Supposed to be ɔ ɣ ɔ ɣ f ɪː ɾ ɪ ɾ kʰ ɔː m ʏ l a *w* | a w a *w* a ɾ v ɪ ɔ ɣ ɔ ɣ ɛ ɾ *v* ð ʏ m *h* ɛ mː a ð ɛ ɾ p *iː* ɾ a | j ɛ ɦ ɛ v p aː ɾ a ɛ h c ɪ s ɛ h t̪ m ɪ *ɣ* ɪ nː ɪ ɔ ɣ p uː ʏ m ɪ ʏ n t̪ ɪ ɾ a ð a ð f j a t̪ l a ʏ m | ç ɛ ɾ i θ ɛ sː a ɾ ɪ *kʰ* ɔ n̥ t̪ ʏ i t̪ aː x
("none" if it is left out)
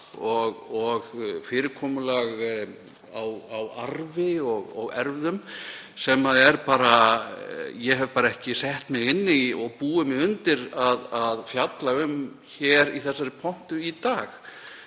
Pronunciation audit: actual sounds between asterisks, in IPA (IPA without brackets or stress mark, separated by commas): ɣ, w, v, s, aː, ɣ, pʰ